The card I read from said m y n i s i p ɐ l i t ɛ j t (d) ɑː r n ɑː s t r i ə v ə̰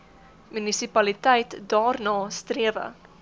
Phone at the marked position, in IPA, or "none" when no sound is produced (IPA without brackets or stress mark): d